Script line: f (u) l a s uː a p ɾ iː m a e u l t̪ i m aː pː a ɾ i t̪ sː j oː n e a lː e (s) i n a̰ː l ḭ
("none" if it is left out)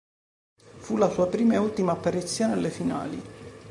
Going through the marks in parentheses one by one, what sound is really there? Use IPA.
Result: u, f

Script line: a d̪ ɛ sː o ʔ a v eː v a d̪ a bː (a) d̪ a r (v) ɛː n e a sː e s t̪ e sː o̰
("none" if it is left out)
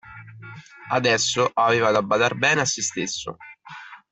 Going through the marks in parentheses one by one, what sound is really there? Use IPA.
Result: a, b

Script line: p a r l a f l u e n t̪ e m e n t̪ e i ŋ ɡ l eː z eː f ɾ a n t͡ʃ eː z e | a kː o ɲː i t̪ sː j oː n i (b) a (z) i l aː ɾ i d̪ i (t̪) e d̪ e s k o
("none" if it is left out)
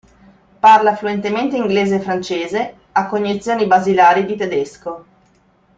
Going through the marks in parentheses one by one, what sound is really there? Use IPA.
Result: b, z, t̪

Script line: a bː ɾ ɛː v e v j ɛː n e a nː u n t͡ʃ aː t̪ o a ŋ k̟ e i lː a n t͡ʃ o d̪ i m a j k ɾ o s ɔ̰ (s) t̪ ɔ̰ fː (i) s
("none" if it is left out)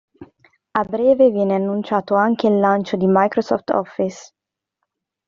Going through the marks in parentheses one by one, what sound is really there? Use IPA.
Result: f, i

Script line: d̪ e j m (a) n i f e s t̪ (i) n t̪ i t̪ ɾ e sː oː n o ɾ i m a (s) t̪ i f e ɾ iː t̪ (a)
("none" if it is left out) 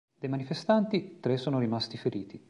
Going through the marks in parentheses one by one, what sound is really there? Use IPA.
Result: a, a, s, i

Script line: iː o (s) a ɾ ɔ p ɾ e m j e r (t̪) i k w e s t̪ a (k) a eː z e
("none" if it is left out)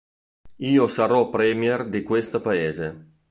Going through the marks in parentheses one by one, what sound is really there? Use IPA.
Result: s, d̪, p

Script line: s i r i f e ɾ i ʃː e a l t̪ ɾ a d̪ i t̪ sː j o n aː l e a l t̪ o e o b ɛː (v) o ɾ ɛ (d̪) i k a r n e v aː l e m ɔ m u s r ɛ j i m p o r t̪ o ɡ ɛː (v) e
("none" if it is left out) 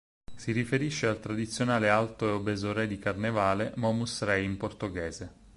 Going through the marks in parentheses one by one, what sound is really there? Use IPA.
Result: z, d̪, z

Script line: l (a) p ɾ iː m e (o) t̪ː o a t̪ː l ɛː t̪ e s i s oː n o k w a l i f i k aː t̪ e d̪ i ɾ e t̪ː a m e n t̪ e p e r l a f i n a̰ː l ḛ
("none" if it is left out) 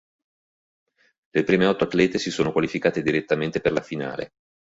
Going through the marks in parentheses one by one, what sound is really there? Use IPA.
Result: e, ɔ

